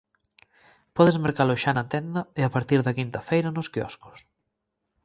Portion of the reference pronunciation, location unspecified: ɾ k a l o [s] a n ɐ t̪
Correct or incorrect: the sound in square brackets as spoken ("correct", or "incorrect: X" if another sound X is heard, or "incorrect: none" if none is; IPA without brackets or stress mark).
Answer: incorrect: ʃ